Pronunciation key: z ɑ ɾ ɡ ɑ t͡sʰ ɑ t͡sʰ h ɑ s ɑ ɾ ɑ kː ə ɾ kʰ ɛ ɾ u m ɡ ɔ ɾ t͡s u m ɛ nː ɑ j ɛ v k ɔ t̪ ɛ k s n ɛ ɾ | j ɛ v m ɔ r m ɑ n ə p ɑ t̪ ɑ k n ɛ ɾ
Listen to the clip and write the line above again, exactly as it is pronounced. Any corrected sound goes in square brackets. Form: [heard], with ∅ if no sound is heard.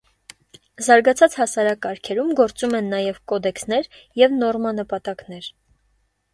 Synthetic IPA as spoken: z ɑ ɾ ɡ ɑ t͡sʰ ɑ [t͡s] h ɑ s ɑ ɾ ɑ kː [ɑ] ɾ kʰ ɛ ɾ u m ɡ ɔ ɾ t͡s u m ɛ nː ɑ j ɛ v k ɔ [d̪] ɛ k s n ɛ ɾ | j ɛ v [n] ɔ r m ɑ n ə p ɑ t̪ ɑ k n ɛ ɾ

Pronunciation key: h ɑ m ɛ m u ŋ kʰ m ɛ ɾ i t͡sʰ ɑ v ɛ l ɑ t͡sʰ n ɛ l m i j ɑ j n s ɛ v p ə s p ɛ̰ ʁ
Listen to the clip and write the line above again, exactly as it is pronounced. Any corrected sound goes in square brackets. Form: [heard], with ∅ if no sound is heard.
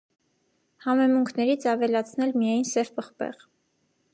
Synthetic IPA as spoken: h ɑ m ɛ m u ŋ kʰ [n] ɛ ɾ i t͡sʰ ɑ v ɛ l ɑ t͡sʰ n ɛ l m i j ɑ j n s ɛ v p ə [χ] p ɛ̰ ʁ

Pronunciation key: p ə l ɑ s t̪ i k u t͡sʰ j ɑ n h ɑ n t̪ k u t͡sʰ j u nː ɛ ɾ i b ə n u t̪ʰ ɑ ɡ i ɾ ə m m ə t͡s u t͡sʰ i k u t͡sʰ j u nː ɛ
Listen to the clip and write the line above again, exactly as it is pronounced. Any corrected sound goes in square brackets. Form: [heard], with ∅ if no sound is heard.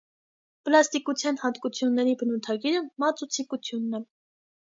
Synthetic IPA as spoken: p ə l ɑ s t̪ i k u t͡sʰ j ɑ n h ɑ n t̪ k u t͡sʰ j u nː ɛ ɾ i b ə n u t̪ʰ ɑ ɡ i ɾ ə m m [ɑ] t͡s u t͡sʰ i k u t͡sʰ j u nː ɛ

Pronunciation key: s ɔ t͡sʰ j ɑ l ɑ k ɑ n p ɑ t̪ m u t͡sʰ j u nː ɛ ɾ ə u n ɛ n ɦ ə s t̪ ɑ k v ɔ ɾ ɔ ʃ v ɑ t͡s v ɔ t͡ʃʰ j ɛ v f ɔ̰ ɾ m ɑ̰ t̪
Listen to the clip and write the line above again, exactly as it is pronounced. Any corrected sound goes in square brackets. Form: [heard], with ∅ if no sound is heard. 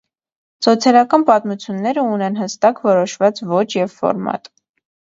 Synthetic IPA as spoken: s ɔ t͡sʰ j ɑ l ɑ k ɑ n p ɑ t̪ m u t͡sʰ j u nː ɛ ɾ ə u n ɛ n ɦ ə s t̪ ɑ k v ɔ ɾ ɔ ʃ v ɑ t͡s v ɔ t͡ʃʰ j ɛ v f ɔ̰ ɾ m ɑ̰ t̪

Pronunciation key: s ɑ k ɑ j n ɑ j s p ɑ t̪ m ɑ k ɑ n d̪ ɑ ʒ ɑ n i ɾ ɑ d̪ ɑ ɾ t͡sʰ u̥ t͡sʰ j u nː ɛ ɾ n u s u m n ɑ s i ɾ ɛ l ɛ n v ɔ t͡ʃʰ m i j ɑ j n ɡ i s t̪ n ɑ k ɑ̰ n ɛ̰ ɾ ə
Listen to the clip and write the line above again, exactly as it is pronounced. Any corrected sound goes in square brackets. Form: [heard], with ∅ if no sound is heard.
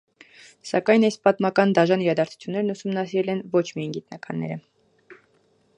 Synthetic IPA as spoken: s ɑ k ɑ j n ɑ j s p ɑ t̪ m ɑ k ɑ n d̪ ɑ ʒ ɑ n i ɾ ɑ d̪ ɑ ɾ t͡sʰ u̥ t͡sʰ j u nː ɛ ɾ n u s u m n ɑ s i ɾ ɛ l ɛ n v ɔ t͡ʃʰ m i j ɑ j n ɡ i [∅] t̪ n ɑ k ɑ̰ [nː] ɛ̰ ɾ ə

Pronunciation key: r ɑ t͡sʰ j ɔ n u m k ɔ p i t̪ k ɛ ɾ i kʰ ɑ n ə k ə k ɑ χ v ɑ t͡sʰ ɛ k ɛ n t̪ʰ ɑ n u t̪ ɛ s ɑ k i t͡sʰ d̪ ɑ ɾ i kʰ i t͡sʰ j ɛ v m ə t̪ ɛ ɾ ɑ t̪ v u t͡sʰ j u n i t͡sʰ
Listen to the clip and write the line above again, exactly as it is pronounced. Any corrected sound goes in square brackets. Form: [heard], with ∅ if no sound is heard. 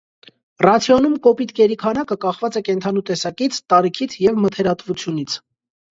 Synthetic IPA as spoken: r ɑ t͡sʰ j ɔ n u m k ɔ p i t̪ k ɛ ɾ i kʰ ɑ n [ɑ] k ə k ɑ χ v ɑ [t͡s] ɛ k ɛ n t̪ʰ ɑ n u t̪ ɛ s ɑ k i t͡sʰ [t̪] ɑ ɾ i kʰ i t͡sʰ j ɛ v m ə [t̪ʰ] ɛ ɾ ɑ t̪ v u t͡sʰ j u n i t͡sʰ

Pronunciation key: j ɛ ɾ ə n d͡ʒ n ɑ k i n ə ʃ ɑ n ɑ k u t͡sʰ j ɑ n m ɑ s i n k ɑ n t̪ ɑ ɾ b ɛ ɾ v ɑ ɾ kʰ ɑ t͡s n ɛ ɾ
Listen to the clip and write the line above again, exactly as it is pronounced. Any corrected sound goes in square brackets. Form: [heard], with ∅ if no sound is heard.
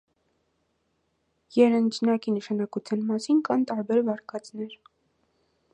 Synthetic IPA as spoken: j ɛ ɾ ə n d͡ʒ n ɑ k i n ə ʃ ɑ n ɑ k u t͡sʰ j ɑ n m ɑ s i n k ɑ n t̪ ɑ ɾ b ɛ ɾ v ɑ ɾ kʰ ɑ t͡s n ɛ ɾ

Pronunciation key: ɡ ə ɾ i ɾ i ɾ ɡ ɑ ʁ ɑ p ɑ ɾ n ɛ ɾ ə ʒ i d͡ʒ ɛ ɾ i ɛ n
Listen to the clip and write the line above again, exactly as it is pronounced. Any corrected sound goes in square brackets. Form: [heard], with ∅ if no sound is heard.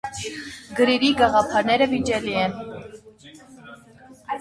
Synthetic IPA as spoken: ɡ ə ɾ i ɾ i [∅] ɡ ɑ ʁ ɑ [pʰ] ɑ ɾ n ɛ ɾ ə [v] i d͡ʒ ɛ [l] i ɛ n

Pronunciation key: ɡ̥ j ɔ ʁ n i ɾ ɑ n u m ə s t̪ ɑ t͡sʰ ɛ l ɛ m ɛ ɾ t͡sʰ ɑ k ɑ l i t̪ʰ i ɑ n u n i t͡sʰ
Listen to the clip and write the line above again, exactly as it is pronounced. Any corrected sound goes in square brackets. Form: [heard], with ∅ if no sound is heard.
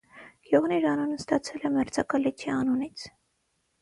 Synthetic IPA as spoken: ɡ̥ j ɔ ʁ n i ɾ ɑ n u [n] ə s t̪ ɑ t͡sʰ ɛ l ɛ m ɛ ɾ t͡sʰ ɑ k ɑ l i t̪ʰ i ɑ n u n i t͡sʰ

